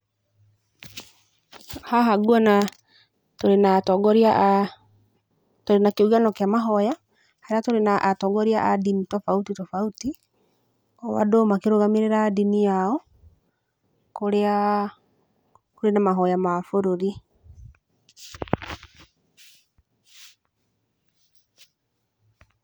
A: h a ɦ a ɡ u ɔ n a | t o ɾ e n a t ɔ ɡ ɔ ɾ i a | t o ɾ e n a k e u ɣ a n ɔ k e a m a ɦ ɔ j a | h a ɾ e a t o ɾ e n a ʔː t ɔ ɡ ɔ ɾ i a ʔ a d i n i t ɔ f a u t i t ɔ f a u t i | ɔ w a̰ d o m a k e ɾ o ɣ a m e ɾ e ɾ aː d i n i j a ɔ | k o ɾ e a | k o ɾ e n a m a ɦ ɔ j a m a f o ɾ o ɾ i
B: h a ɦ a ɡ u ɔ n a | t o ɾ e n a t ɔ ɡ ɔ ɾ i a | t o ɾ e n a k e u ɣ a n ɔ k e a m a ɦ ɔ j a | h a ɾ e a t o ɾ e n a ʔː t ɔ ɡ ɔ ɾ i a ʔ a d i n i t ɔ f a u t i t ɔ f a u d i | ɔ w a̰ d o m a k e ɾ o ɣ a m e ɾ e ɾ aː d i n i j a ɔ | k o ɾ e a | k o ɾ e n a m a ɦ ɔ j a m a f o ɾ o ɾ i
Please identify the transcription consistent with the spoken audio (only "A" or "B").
A